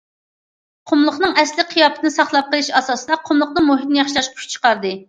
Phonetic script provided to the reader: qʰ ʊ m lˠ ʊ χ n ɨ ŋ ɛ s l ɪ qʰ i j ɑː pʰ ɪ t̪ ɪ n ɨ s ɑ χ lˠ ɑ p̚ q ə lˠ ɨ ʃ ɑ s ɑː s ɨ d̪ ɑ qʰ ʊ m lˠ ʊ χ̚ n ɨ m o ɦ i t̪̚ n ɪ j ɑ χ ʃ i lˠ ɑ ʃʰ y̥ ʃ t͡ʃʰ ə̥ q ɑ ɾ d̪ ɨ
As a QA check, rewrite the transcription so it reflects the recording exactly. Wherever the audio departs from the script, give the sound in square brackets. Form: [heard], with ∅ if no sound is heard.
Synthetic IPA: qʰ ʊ m lˠ ʊ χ n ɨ ŋ ɛ s l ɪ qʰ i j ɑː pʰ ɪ t̪ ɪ n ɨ s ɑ χ lˠ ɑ p̚ q ə lˠ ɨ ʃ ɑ s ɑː s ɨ d̪ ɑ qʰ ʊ m lˠ ʊ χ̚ n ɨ m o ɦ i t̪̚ n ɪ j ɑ χ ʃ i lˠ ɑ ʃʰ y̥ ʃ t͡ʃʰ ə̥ q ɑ ɾ d̪ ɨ

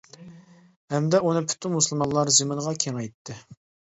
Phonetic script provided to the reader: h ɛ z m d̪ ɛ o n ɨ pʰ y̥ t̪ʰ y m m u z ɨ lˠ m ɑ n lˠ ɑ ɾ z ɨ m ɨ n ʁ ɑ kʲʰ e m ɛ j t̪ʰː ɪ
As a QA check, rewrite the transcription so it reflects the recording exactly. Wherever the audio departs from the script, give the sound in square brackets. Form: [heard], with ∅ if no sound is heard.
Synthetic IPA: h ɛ [∅] m d̪ ɛ [u] n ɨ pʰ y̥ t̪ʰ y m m u [s] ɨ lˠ m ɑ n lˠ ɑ ɾ z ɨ m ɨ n ʁ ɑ kʲʰ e [ŋ] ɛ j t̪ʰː ɪ

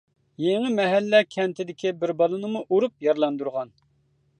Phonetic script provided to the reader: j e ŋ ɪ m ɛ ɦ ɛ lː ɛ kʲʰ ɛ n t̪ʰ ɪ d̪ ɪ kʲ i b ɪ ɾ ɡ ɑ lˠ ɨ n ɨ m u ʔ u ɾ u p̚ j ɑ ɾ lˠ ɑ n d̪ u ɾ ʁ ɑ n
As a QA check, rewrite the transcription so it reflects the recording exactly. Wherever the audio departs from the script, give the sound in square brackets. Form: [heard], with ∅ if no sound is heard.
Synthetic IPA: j e ŋ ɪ m ɛ ɦ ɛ lː ɛ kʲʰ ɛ n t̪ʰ ɪ d̪ ɪ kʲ i b ɪ ɾ [b] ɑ lˠ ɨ n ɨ m u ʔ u ɾ u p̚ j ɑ ɾ lˠ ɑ n d̪ u ɾ ʁ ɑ n

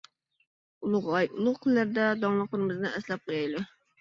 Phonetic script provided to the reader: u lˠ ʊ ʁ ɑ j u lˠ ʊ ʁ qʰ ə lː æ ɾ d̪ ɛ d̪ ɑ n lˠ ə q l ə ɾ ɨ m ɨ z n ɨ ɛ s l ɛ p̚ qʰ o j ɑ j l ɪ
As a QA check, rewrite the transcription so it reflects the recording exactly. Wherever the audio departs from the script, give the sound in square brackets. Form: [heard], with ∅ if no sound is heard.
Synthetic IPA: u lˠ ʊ ʁ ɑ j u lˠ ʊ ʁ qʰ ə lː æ ɾ d̪ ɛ d̪ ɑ [ŋ] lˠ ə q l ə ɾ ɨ m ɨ z n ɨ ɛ s l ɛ p̚ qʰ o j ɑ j l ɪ

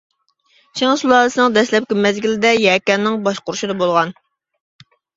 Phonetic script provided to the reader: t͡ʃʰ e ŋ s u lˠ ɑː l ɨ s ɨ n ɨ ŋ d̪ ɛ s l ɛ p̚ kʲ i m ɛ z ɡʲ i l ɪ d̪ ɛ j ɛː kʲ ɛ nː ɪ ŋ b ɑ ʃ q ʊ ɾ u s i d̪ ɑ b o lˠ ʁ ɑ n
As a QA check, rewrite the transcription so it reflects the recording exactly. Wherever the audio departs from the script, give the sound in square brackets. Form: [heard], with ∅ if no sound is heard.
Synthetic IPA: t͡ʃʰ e ŋ s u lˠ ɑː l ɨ s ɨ n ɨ ŋ d̪ ɛ s l ɛ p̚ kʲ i m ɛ z ɡʲ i l ɪ d̪ ɛ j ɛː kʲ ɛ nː ɪ ŋ b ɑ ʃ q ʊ ɾ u [ʃ] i d̪ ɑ b o lˠ ʁ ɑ n

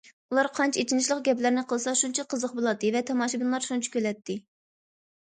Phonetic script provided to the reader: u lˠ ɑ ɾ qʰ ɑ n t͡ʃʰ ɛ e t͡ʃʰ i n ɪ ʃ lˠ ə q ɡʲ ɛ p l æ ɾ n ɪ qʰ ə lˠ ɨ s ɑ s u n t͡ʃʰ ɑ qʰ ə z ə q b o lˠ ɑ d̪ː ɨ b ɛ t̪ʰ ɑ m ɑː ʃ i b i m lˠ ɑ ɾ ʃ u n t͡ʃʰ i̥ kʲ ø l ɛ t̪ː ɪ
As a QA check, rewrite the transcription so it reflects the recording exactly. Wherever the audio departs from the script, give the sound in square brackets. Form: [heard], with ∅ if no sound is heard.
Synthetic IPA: u lˠ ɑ ɾ qʰ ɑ n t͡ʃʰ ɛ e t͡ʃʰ i n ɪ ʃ lˠ ə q ɡʲ ɛ p l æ ɾ n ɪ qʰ ə lˠ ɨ s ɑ [ʃ] u n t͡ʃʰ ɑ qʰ ə z ə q b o lˠ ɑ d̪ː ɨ [v] ɛ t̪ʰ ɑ m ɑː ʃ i b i [n] lˠ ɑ ɾ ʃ u n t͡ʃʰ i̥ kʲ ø l ɛ t̪ː ɪ

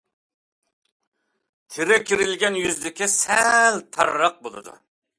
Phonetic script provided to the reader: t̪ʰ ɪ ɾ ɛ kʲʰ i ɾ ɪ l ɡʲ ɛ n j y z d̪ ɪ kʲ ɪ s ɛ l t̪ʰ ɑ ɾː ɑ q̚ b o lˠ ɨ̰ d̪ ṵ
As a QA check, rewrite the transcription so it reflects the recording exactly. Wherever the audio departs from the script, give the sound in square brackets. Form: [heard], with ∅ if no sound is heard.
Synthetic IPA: t̪ʰ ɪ ɾ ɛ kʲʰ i ɾ ɪ l ɡʲ ɛ n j y z d̪ ɪ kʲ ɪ s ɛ l t̪ʰ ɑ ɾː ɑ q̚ b o lˠ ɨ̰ d̪ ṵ

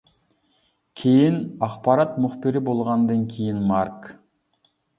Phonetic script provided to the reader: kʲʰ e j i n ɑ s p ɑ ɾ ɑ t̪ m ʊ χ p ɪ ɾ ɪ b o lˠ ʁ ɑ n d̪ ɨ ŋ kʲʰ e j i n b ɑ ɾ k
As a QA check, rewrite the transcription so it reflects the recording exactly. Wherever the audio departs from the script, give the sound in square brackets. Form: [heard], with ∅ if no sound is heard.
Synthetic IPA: kʲʰ e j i n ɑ [χ] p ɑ ɾ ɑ t̪ m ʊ χ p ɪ ɾ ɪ b o lˠ ʁ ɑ n d̪ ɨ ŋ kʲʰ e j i n [m] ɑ ɾ k

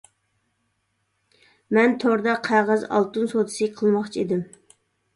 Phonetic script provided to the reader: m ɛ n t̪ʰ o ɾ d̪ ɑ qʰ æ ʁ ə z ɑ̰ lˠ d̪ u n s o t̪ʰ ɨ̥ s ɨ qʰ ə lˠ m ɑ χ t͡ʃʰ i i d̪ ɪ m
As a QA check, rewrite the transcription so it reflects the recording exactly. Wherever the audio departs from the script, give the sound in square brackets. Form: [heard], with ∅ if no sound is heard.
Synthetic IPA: m ɛ n t̪ʰ o ɾ d̪ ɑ qʰ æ ʁ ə z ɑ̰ lˠ [t̪] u n s o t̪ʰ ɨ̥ s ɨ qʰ ə lˠ m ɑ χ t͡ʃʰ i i d̪ ɪ m

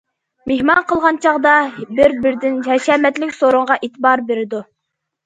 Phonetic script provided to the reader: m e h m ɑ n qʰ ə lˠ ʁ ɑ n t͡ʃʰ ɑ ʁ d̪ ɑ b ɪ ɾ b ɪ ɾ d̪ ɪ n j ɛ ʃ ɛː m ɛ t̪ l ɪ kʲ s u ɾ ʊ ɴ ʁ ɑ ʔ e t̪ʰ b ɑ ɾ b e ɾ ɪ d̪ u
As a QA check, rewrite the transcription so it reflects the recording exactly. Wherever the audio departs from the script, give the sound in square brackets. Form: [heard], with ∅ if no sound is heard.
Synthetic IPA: m e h m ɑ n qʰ ə lˠ ʁ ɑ n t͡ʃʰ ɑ ʁ d̪ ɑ b ɪ ɾ b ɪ ɾ d̪ ɪ n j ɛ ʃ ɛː m ɛ t̪ l ɪ kʲ s [o] ɾ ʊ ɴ ʁ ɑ ʔ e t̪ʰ b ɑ ɾ b e ɾ ɪ d̪ u

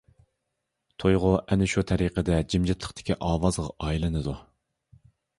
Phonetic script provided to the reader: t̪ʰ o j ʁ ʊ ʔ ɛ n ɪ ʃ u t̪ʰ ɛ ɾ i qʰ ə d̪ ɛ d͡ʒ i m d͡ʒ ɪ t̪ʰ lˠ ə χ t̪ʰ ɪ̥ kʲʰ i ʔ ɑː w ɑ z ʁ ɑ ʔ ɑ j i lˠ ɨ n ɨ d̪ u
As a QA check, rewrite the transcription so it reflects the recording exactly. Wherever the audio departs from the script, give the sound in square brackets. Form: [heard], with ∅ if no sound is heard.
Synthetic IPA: t̪ʰ o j ʁ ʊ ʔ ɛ n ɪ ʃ u t̪ʰ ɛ ɾ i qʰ ə d̪ ɛ d͡ʒ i m d͡ʒ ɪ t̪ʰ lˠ ə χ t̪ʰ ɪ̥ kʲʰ i ʔ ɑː w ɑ z ʁ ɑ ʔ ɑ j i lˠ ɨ n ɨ d̪ u

